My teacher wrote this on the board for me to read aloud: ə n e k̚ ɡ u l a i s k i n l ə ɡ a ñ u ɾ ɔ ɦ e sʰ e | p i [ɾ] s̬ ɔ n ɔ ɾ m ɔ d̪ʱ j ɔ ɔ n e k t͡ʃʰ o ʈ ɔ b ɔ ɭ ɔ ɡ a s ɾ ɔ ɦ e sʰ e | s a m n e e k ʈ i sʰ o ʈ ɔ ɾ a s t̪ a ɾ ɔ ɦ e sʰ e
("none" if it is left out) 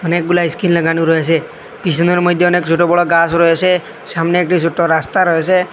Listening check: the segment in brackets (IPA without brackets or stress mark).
none